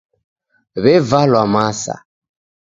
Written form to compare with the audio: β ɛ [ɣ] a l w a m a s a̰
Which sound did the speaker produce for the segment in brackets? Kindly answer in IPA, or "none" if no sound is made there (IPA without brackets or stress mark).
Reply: v